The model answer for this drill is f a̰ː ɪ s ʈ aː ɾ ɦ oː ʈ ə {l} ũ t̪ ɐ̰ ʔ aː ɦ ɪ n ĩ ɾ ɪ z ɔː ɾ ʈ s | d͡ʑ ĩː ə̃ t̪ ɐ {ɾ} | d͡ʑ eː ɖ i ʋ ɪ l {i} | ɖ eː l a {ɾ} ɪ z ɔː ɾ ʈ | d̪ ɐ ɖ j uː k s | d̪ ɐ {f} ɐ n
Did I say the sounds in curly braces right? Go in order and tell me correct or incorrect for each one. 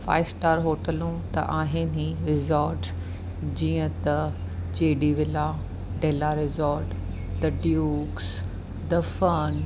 correct, incorrect, incorrect, correct, correct

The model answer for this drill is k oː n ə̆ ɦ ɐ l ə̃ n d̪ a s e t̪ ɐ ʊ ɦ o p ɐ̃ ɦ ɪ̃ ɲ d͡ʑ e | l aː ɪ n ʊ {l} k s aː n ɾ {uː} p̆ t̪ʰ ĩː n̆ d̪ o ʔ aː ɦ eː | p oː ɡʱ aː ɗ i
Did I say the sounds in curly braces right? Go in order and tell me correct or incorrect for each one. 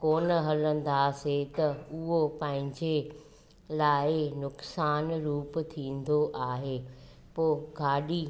incorrect, correct

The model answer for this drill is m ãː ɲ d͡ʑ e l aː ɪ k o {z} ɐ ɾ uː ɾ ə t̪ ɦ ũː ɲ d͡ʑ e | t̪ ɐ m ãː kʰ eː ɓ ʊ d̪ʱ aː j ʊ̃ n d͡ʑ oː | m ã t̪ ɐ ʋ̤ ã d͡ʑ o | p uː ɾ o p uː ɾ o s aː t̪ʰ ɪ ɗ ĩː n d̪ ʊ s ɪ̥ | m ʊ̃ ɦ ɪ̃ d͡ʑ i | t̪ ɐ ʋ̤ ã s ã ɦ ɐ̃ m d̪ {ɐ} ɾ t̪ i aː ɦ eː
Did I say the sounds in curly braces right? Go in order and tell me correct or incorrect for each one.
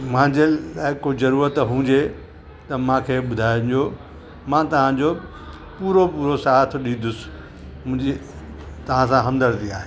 correct, incorrect

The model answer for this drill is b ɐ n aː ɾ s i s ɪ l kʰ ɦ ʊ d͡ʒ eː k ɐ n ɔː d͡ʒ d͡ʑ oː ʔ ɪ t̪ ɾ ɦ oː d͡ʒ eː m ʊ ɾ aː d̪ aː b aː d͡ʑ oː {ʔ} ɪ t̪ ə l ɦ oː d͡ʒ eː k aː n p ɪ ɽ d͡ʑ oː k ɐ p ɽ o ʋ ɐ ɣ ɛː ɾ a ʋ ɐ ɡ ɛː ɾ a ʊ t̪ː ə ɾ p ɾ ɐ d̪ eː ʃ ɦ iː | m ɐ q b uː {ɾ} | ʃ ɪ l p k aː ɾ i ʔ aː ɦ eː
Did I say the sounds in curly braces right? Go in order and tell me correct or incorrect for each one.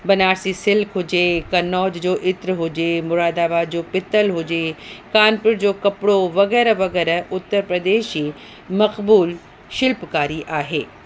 incorrect, incorrect

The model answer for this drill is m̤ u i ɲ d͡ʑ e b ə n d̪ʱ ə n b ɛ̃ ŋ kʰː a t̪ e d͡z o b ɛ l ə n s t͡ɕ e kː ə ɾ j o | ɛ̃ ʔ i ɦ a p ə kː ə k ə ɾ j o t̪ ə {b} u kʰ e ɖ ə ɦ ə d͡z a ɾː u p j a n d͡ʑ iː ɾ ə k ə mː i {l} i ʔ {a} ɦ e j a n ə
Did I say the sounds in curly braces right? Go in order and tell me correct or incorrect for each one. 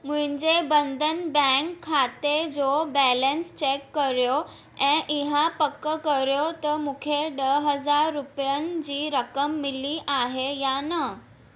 incorrect, correct, correct

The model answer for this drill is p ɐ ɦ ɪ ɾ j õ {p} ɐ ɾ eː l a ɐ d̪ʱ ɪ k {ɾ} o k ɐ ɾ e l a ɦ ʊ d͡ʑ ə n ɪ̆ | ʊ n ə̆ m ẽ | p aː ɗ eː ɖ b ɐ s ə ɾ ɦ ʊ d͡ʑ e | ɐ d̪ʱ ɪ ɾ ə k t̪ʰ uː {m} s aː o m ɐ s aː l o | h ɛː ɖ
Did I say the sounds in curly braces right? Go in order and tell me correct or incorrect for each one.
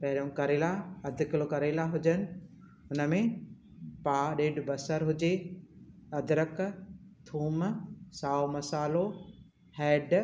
incorrect, incorrect, correct

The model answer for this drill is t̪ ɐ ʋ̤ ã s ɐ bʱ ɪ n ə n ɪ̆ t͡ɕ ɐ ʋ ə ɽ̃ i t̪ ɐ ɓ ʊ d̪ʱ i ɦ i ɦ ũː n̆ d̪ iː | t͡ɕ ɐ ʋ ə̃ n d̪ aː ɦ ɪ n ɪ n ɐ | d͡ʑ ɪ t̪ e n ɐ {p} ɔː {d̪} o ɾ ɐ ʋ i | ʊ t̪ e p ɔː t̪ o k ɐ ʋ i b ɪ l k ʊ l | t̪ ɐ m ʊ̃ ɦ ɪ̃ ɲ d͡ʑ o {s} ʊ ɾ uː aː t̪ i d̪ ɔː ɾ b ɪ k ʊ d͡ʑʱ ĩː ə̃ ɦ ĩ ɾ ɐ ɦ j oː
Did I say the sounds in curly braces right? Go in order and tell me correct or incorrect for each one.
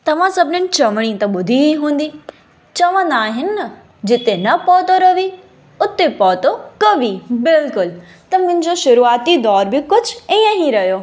correct, incorrect, incorrect

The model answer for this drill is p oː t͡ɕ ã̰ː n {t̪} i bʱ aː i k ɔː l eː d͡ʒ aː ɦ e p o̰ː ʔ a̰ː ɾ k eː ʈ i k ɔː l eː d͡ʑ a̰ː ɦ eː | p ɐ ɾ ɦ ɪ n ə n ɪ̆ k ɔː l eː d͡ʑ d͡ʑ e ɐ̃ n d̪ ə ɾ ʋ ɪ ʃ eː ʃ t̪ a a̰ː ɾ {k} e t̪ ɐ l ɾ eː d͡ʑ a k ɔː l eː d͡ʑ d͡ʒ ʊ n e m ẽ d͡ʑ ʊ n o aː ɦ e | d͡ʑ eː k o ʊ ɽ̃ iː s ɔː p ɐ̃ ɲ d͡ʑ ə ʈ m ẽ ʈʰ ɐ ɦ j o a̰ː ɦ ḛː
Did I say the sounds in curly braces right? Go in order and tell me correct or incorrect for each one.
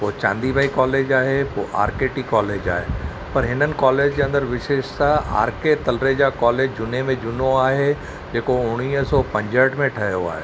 incorrect, correct

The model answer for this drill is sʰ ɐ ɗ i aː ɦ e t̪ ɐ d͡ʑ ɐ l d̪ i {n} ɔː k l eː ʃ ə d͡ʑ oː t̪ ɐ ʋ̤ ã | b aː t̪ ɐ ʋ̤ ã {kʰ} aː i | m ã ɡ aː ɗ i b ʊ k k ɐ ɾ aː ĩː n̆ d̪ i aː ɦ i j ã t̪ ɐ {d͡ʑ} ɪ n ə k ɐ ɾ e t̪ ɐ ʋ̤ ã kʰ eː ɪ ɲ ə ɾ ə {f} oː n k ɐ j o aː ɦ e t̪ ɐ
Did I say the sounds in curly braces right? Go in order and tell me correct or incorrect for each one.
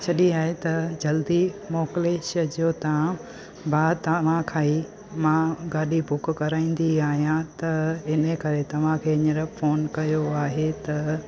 incorrect, correct, incorrect, correct

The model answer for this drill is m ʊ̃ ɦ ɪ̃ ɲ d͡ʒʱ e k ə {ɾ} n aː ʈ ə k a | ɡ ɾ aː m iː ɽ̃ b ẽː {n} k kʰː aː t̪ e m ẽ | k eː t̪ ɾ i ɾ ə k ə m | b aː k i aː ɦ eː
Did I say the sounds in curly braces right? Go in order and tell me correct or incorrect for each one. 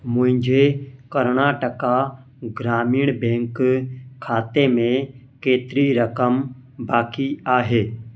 correct, incorrect

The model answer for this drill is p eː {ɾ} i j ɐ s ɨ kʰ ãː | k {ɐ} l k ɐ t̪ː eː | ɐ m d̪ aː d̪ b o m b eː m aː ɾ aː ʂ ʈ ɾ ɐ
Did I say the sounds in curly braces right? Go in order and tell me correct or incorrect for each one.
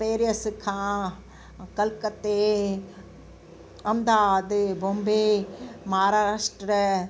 correct, correct

